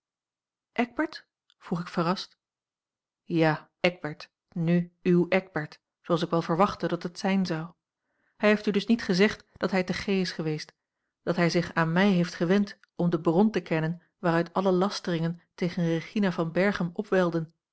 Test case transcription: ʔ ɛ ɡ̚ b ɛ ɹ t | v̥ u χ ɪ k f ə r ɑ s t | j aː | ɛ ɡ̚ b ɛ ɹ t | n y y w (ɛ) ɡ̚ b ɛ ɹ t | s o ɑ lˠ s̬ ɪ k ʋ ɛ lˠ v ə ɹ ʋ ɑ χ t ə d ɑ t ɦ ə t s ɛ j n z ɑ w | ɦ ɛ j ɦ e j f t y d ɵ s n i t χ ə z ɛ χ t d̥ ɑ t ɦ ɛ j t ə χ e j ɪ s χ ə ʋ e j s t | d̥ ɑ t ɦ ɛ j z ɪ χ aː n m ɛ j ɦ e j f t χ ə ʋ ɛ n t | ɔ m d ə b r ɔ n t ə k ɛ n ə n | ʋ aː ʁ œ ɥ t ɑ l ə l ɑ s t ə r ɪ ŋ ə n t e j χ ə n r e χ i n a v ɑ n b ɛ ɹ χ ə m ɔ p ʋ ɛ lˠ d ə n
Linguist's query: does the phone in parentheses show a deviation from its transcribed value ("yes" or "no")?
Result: no